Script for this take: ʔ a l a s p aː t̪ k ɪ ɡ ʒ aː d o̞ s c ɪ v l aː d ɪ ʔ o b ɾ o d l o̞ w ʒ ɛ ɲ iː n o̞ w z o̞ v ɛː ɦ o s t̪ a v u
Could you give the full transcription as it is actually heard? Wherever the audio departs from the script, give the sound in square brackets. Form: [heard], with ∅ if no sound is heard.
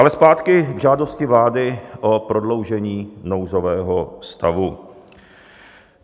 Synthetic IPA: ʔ a l [ɛ] s p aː t̪ k ɪ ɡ ʒ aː d o̞ s c ɪ v l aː d ɪ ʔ o [p] ɾ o d l o̞ w ʒ ɛ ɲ iː n o̞ w z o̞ v ɛː ɦ o s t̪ a v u